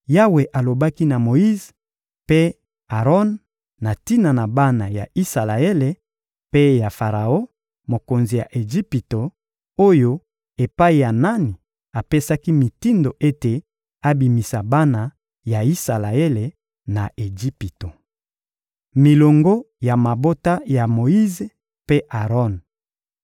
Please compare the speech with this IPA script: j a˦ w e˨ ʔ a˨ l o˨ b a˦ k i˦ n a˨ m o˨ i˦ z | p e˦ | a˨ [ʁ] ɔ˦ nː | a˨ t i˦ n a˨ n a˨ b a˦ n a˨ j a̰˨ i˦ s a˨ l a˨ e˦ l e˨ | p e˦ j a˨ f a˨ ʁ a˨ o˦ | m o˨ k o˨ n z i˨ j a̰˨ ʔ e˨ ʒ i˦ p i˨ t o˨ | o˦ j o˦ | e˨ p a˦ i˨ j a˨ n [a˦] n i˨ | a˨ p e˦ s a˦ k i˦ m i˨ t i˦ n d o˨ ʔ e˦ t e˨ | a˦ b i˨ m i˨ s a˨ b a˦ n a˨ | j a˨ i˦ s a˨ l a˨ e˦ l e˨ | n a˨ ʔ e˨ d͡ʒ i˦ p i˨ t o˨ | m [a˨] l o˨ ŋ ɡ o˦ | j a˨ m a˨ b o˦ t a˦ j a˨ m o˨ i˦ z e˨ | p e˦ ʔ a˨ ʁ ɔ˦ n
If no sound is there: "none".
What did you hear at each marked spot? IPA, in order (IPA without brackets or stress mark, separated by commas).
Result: ʁ, a˦, i˨